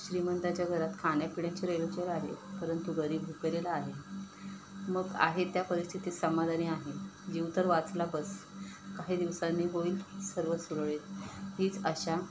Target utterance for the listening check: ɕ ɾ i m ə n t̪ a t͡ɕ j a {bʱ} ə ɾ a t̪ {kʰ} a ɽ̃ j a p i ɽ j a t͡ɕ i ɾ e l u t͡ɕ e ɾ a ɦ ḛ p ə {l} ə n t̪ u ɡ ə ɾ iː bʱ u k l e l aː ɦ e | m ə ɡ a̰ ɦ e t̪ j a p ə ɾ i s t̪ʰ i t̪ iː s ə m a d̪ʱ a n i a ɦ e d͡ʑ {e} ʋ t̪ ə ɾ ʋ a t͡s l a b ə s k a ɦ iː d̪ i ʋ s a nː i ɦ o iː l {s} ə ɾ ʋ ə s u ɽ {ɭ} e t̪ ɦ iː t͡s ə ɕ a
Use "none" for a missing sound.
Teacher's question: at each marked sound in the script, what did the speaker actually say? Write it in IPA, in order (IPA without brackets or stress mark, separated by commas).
ɡʱ, kʰ, ɾ, i, s, ɭ